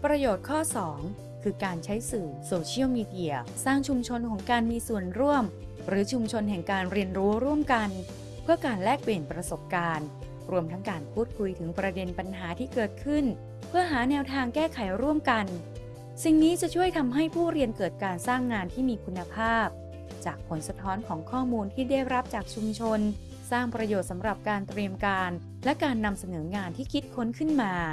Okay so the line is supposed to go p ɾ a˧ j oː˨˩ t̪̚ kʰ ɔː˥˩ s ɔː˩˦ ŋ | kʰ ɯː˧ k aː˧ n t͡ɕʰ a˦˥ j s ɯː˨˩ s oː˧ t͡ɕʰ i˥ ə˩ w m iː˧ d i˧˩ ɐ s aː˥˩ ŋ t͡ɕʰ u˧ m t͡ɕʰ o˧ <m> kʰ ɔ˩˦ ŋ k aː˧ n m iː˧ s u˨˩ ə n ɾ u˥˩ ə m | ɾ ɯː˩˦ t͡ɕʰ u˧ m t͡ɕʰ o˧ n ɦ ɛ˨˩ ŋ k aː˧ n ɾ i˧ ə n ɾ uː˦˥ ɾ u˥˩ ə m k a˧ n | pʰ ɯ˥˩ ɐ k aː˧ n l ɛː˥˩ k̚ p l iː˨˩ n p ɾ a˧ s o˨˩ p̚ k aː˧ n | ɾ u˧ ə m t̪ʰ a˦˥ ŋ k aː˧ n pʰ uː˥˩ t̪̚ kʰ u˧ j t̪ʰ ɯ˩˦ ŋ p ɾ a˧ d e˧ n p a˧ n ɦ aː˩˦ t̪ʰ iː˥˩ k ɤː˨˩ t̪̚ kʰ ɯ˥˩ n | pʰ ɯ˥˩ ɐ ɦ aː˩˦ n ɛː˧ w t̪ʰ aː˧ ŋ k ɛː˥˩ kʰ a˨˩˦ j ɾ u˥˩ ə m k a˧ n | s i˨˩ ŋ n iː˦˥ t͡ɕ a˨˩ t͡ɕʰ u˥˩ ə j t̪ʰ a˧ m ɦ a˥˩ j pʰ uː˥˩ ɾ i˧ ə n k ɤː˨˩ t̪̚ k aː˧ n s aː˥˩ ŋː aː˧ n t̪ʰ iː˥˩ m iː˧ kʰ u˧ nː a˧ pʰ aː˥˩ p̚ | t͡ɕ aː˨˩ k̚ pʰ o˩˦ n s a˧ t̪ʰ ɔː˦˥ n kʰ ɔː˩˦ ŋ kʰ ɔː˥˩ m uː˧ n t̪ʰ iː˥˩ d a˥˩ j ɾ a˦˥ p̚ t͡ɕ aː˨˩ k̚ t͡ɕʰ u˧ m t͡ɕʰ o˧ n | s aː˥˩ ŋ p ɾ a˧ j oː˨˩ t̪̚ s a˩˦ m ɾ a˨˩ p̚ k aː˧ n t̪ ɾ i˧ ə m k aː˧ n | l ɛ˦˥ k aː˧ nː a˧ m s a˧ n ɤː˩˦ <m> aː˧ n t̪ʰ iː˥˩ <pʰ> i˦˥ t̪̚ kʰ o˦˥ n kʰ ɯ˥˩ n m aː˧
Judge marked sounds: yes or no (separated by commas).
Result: no, no, no